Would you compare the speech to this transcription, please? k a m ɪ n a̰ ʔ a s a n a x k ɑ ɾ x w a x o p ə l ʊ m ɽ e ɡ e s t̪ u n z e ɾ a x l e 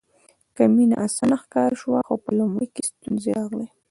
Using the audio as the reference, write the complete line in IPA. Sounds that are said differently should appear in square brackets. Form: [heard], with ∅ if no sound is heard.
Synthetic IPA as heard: k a m [i] n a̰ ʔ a s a n a x k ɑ ɾ [ʃ] w a x o p ə l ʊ m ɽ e [k] e s t̪ u n z e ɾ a [ɣ] l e